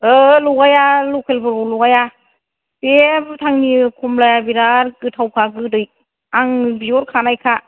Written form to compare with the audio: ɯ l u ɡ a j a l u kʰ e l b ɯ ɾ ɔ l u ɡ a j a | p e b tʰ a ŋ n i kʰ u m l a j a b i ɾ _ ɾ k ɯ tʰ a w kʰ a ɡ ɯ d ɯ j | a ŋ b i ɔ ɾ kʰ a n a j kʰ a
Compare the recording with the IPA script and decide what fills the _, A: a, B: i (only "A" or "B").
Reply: A